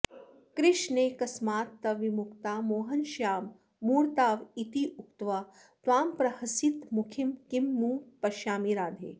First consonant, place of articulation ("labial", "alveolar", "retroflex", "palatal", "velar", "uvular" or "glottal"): velar